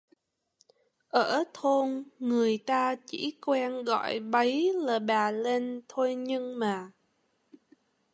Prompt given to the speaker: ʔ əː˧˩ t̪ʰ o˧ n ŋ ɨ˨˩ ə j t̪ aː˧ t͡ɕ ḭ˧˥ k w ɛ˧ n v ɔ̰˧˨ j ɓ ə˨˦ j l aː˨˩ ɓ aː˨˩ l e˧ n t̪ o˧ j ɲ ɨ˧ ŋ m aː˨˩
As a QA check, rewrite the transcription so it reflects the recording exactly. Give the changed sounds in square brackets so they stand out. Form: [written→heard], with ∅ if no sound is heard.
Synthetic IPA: ʔ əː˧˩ t̪ʰ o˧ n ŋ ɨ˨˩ ə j t̪ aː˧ t͡ɕ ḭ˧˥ k w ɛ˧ n [v→ɣ] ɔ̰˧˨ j ɓ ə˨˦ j l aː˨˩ ɓ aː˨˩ l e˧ n [t̪→t̪ʰ] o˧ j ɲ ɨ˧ ŋ m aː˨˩